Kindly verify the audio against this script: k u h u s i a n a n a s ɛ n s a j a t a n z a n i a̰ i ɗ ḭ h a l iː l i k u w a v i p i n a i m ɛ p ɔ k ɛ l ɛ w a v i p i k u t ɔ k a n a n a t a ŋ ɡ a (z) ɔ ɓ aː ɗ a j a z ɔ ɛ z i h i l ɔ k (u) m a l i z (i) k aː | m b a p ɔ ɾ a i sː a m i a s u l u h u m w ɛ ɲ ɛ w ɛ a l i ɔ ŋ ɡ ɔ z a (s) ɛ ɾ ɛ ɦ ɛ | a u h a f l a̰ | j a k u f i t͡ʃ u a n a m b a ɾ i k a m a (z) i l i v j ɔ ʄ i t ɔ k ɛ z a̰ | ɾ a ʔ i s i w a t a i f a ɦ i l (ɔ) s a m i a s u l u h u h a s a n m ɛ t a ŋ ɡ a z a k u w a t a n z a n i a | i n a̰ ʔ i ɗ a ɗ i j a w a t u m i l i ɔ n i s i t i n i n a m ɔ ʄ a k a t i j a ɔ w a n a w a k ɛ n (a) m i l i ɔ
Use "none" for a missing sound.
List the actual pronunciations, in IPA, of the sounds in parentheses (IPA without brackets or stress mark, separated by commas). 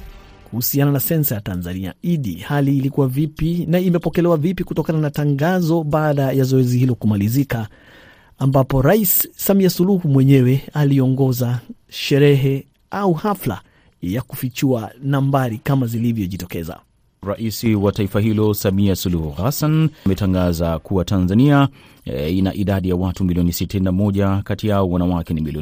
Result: z, u, i, ʃ, z, ɔ, i